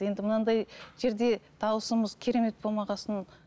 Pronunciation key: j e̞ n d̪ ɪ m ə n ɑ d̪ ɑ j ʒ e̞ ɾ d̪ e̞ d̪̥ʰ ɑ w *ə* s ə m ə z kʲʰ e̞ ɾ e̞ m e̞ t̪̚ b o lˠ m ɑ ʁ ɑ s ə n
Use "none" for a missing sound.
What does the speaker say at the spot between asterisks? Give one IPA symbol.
ə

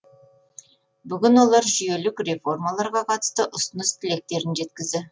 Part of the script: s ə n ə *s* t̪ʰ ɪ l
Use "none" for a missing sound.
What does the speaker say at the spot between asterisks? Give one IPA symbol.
s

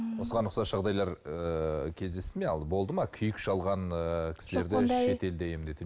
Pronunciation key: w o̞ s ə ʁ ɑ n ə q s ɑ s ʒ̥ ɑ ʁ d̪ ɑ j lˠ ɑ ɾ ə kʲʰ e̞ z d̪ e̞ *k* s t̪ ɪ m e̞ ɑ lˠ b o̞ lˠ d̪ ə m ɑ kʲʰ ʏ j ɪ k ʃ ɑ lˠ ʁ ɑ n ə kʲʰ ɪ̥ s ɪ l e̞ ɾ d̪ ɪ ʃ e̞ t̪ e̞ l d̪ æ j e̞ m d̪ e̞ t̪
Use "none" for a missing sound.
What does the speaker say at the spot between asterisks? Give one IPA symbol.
none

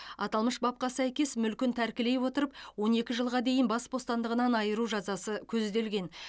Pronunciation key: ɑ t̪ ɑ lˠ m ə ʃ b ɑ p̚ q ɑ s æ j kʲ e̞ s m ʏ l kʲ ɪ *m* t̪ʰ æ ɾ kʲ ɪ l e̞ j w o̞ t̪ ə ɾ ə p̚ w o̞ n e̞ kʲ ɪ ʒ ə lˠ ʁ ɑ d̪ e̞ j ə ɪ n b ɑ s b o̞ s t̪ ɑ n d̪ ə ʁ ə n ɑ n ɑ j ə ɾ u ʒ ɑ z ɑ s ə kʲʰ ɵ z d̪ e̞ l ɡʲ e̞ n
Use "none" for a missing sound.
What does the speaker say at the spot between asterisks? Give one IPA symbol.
n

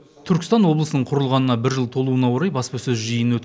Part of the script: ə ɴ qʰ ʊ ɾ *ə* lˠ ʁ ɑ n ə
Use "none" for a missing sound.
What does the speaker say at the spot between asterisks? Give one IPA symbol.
ə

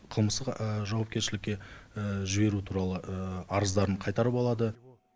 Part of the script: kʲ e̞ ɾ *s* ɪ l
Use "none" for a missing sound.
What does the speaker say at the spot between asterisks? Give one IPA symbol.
ʃ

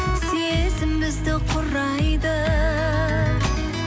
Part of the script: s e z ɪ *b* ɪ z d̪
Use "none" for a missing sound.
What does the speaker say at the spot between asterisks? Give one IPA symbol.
m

